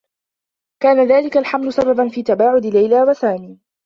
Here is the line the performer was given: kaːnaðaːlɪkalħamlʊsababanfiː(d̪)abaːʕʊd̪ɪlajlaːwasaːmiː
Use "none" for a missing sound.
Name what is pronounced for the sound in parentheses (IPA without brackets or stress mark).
t̪